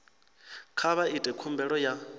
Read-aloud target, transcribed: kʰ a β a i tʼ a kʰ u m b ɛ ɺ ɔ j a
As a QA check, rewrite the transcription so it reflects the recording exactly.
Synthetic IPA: kʰ a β a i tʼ ɛ kʰ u m b ɛ ɺ ɔ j a